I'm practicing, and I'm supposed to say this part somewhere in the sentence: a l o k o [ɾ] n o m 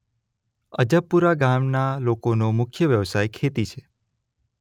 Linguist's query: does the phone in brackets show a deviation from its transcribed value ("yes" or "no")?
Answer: yes